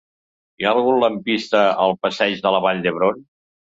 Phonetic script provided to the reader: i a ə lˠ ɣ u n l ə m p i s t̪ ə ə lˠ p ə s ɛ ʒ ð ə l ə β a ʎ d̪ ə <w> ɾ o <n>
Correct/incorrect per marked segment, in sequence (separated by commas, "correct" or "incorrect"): incorrect, correct